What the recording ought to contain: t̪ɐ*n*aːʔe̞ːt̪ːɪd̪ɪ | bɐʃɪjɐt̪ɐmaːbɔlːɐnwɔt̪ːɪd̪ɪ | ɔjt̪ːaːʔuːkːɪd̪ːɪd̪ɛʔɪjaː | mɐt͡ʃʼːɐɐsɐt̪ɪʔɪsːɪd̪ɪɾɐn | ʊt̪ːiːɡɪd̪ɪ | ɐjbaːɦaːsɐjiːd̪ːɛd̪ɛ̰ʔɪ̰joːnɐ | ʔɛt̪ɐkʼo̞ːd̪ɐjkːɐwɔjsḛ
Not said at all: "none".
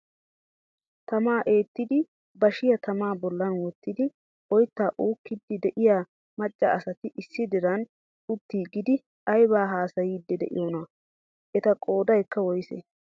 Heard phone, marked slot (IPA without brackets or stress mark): m